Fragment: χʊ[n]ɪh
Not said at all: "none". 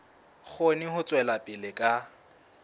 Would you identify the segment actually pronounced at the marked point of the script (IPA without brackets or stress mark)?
n